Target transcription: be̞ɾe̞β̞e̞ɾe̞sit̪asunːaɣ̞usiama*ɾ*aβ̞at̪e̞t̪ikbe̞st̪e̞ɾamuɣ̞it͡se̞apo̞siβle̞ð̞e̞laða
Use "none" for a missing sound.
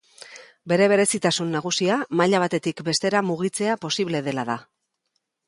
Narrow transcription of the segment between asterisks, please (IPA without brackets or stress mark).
ʎ